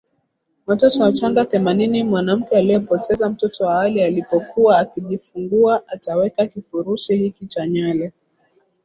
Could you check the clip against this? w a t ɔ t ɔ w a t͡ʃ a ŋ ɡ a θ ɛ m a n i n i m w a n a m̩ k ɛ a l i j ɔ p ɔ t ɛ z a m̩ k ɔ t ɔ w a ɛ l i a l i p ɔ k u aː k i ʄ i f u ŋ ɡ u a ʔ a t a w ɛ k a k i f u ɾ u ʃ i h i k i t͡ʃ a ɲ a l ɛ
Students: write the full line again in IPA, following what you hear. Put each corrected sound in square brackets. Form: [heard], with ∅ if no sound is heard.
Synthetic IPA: w a t ɔ t ɔ w a t͡ʃ a ŋ ɡ a θ ɛ m a n i n i m w a n a m̩ k ɛ a l i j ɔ p ɔ t ɛ z a m̩ [t] ɔ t ɔ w a [a] l i a l i p ɔ k u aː k i ʄ i f u ŋ ɡ u a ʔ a t a w ɛ k a k i f u ɾ u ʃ i h i k i t͡ʃ a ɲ a l ɛ